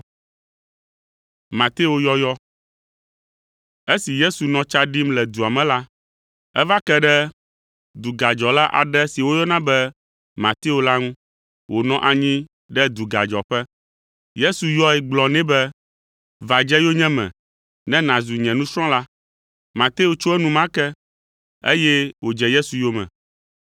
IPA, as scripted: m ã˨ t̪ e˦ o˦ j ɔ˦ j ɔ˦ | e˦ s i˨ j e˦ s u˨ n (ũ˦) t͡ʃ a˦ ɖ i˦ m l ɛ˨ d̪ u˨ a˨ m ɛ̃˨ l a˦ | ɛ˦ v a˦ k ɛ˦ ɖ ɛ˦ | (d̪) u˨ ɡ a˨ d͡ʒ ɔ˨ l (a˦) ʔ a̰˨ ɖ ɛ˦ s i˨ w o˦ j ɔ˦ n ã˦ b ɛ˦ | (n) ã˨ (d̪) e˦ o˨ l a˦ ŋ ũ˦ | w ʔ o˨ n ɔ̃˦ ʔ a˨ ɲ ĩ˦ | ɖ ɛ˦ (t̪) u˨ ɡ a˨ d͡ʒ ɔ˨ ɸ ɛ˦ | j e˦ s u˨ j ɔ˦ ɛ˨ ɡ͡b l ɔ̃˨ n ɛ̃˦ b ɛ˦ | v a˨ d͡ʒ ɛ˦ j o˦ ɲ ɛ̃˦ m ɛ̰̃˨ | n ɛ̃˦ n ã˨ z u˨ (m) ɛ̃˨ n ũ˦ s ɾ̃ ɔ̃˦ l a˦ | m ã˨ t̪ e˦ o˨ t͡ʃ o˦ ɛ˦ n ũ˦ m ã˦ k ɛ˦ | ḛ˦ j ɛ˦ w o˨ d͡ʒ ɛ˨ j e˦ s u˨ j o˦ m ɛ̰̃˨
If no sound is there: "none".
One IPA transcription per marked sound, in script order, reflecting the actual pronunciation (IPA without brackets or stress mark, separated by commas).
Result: ɔ̃˦, d̪, a˦, m, t̪, d̪, ɲ